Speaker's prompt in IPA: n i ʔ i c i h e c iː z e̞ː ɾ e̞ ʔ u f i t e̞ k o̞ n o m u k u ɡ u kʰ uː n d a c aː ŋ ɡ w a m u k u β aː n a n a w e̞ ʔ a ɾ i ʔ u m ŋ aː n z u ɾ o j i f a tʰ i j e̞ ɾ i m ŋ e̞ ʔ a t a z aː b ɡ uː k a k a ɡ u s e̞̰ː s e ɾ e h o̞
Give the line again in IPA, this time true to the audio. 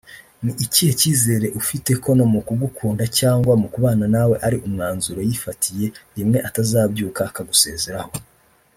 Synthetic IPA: n i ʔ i c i h e c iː z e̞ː ɾ e̞ ʔ u f i t e̞ k o̞ n o m u k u ɡ u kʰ uː n d a c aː ŋ ɡ w a m u k u β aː n a n a w e̞ ʔ a ɾ i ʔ u m ŋ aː n z u ɾ o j i f a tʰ i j e̞ ɾ i m ŋ e̞ ʔ a t a z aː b ɟ uː k a k a ɡ u s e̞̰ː z e ɾ a h o̞

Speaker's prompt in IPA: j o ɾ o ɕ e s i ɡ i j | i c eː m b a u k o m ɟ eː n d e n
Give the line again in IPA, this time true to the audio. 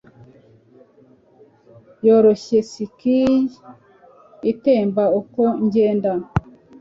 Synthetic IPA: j o ɾ o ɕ e s i k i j | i t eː m b a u k o ɲ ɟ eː n d a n

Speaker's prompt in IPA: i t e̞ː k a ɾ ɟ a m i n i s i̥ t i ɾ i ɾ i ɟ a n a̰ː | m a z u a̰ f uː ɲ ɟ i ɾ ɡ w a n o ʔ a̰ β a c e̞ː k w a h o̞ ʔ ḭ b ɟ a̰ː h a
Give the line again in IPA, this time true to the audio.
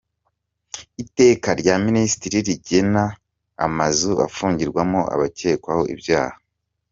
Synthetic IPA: i t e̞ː k a ɾ ɟ a m i n i s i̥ t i ɾ i ɾ i ɟ e n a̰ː | m a z u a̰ f uː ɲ ɟ i ɾ ɡ w a m o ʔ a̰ β a c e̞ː k w a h o̞ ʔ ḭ b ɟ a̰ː h a

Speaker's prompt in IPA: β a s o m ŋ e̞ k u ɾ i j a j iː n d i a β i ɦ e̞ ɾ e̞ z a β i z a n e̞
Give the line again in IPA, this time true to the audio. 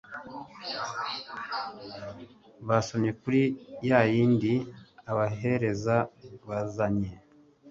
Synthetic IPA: β a s o m ɲ e̞ k u ɾ i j a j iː n d i a β a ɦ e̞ ɾ e̞ z a β a z a ɲ e̞

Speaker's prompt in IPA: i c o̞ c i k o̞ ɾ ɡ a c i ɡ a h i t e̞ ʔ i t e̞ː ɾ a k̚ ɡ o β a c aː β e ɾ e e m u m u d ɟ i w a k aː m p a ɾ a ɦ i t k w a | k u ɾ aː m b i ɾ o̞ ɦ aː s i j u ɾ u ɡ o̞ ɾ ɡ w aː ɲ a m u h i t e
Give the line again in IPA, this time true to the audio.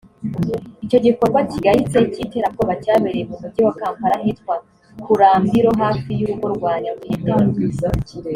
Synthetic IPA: i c o̞ ɟ i k o̞ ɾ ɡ a c i ɡ a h i t͡s e̞ c i t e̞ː ɾ a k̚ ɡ o β a c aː β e ɾ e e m u m u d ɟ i w a k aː m p a ɾ a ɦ i t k w a | k u ɾ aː m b i ɾ o̞ ɦ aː f i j u ɾ u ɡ o̞ ɾ ɡ w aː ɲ a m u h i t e

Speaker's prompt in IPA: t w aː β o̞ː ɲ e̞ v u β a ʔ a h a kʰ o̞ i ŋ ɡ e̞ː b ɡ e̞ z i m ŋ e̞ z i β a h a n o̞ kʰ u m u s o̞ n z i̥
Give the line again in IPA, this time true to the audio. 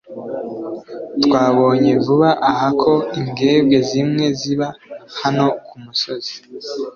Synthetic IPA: t w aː β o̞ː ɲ e̞ v u β a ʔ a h a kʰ o̞ i ŋ ɡ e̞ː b ɡ e̞ z i m ŋ e̞ z i β a h a n o̞ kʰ u m u s o̞ z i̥

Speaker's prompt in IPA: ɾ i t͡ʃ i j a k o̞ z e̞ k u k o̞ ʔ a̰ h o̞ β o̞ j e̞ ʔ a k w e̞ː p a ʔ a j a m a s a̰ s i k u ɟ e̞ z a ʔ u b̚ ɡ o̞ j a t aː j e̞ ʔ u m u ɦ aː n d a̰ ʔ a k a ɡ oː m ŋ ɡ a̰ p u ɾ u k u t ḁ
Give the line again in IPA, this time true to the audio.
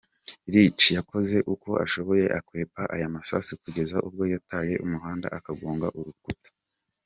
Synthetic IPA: ɾ i t͡ʃ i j a k o̞ z e̞ ʔ u k o̞ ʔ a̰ ʃ o̞ β o̞ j e̞ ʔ a k w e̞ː p a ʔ a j a m a s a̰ s i k u ɟ e̞ z a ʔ u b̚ ɡ o̞ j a t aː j e̞ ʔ u m u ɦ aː n d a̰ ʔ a k a ɡ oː ŋ ɡ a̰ ʔ u ɾ u k u t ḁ

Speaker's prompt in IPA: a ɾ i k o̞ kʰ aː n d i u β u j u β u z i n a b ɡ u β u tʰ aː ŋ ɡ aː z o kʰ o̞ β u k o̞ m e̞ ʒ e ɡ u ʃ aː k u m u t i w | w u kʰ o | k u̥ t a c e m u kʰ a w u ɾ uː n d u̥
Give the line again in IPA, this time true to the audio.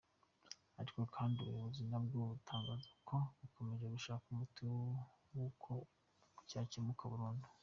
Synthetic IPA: a ɾ i k o̞ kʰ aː n d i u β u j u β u z i n a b ɡ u β u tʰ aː ŋ ɡ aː z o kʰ o̞ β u k o̞ m e̞ ʒ e ɡ u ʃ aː k u m u t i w | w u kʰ o | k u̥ c a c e m u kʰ a β u ɾ uː n d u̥

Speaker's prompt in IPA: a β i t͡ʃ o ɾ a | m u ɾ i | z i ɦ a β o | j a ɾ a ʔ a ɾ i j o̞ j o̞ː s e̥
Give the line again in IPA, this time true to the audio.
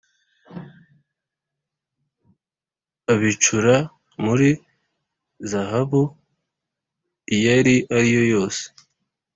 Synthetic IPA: a β i t͡ʃ u ɾ a | m u ɾ i | z a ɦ a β u | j a ɾ i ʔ a ɾ i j o̞ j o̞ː s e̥

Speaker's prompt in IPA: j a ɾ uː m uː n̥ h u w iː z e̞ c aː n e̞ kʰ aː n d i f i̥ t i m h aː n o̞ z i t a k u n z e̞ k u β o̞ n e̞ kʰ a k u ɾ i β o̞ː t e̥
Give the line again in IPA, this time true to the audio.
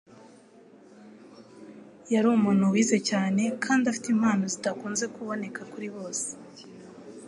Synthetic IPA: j a ɾ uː m uː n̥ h u w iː z e̞ c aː n e̞ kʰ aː n d a f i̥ t i m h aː n o̞ z i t a k uː n z e̞ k u β o̞ n e̞ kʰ a k u ɾ i β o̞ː s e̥

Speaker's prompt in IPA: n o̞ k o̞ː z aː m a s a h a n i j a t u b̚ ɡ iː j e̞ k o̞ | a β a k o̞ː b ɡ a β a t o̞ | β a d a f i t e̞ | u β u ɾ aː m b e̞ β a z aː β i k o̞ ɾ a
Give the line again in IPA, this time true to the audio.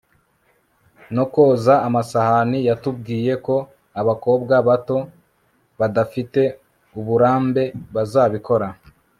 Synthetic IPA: n o̞ k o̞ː z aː m a s a h a n i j a t u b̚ ɡ iː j e̞ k o̞ | a β a k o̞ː b ɡ a β a t o̞ | β a d a f i t e̞ | u β u ɾ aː m b e̞ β a z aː β i k o̞ ɾ a

